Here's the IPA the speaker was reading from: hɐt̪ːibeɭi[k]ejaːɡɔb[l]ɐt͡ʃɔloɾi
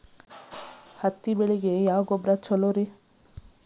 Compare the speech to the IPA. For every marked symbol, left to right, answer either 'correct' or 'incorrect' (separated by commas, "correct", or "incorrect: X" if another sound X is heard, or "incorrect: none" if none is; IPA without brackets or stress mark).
incorrect: ɡ, incorrect: ɾ